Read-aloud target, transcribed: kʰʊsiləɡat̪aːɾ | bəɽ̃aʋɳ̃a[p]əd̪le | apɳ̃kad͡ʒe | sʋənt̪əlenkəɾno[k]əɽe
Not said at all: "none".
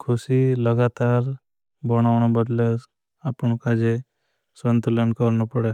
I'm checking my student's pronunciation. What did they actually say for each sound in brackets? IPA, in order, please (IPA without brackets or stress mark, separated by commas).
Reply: b, p